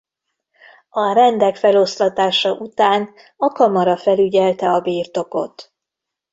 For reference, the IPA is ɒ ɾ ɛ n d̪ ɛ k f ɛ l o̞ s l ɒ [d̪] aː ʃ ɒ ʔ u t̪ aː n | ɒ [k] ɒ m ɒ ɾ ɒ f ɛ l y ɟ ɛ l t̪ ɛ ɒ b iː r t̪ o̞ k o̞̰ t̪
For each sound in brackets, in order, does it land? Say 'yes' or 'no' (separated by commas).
no, yes